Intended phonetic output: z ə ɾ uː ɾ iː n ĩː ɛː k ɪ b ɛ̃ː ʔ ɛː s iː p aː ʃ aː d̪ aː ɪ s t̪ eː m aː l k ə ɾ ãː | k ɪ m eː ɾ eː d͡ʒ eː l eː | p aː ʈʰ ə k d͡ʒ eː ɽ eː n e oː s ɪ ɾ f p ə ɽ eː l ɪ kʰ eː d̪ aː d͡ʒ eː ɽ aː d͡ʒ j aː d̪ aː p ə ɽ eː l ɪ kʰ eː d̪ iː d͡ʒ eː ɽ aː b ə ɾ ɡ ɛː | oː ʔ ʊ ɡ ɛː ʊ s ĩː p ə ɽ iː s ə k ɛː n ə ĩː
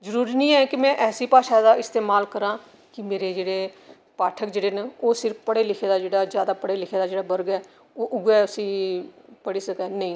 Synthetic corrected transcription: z ə ɾ uː ɾ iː n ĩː ɛː k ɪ m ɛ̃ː ʔ ɛː s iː p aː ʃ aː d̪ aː ɪ s t̪ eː m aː l k ə ɾ ãː | k ɪ m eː ɾ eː d͡ʒ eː ɽ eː | p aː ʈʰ ə k d͡ʒ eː ɽ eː n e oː s ɪ ɾ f p ə ɽ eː l ɪ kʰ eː d̪ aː d͡ʒ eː ɽ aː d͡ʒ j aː d̪ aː p ə ɽ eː l ɪ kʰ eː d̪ aː d͡ʒ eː ɽ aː b ə ɾ ɡ ɛː | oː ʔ ʊ ɡ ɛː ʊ s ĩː p ə ɽ iː s ə k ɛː n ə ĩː